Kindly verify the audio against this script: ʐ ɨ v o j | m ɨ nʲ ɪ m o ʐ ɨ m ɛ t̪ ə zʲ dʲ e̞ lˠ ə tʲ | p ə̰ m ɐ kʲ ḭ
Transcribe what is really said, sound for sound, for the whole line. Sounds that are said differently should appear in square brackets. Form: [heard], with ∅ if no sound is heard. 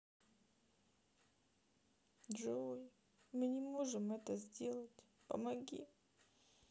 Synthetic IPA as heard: ʐ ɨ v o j | m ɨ nʲ ɪ m o ʐ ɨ m ɛ t̪ ə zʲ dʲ e̞ lˠ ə tʲ | p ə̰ m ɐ [ɡʲ] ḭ